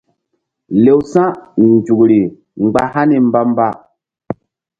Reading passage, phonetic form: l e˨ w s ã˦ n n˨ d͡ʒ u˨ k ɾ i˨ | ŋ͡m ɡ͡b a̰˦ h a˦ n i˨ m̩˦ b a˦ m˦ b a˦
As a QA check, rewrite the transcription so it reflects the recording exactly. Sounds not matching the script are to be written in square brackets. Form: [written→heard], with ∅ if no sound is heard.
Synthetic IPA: l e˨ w s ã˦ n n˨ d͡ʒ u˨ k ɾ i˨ | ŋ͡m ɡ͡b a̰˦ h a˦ n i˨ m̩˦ b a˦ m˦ b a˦